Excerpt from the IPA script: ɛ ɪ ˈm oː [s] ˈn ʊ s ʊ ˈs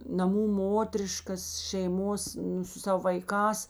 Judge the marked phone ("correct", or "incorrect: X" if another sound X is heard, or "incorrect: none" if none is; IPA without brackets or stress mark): correct